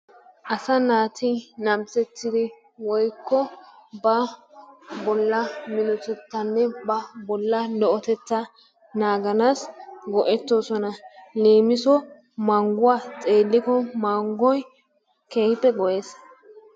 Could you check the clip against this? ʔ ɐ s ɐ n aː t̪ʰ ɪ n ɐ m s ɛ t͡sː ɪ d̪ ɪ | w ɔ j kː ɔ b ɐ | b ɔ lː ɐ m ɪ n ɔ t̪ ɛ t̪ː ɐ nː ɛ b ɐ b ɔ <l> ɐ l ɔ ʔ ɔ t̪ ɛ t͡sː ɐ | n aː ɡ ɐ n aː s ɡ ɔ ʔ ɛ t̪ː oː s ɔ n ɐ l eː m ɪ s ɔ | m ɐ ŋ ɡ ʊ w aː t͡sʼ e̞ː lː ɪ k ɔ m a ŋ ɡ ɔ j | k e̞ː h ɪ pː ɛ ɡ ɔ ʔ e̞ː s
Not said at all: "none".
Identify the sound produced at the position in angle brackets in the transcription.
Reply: lː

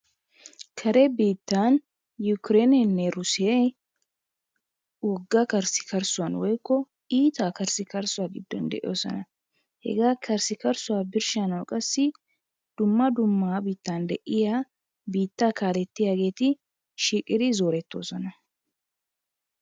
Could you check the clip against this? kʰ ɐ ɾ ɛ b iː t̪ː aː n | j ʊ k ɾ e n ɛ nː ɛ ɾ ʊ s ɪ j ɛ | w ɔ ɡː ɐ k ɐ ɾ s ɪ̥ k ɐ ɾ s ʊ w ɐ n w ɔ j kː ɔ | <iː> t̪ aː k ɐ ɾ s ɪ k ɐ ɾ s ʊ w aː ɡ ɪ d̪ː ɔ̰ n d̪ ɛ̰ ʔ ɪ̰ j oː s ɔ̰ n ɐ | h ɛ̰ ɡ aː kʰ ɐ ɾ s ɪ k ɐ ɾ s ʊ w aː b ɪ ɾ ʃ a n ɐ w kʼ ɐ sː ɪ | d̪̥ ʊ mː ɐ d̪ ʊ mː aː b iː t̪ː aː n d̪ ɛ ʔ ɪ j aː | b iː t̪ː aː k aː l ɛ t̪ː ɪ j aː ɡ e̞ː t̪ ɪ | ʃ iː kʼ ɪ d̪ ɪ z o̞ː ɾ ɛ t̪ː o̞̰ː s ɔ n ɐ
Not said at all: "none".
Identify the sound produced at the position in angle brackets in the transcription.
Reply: iː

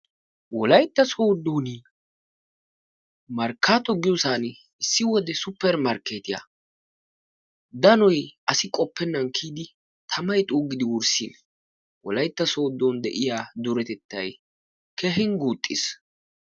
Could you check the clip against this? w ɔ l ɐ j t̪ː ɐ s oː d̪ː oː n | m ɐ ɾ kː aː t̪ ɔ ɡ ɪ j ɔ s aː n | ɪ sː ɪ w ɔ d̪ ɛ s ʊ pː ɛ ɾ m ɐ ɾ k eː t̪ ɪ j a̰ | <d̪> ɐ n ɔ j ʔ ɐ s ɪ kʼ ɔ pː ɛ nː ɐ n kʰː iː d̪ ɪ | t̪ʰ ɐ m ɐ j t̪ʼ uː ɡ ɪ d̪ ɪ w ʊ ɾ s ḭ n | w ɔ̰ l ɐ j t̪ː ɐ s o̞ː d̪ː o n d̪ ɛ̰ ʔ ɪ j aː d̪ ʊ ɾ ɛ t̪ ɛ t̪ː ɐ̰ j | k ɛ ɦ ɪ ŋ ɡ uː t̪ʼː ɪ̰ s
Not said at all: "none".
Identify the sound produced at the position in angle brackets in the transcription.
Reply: d̪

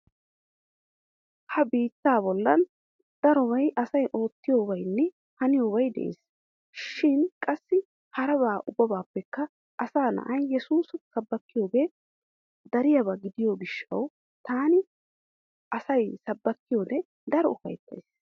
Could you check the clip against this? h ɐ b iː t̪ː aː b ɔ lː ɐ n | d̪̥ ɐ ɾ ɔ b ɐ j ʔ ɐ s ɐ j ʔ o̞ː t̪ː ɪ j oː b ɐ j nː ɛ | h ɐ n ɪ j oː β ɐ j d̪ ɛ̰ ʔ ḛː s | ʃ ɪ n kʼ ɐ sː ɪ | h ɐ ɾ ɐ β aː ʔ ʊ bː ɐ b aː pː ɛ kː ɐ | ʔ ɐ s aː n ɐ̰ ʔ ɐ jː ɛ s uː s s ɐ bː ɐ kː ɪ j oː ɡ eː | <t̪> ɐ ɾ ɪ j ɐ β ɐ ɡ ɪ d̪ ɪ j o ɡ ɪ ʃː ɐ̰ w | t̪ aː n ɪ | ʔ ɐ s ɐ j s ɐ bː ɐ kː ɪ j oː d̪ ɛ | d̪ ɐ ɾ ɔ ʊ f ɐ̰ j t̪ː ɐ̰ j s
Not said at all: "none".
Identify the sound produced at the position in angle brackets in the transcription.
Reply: d̪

